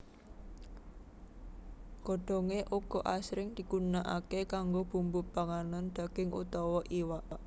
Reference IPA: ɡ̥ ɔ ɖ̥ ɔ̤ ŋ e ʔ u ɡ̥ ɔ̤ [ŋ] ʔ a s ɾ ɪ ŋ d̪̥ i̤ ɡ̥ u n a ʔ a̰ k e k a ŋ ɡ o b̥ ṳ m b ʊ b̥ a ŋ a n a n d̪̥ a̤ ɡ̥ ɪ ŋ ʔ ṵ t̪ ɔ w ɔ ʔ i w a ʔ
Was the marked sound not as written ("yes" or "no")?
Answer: yes